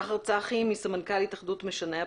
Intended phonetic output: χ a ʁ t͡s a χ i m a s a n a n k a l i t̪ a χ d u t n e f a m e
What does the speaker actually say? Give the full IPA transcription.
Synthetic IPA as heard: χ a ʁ t͡s a χ i m i s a m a n k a l i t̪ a χ d u t m e ʃ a n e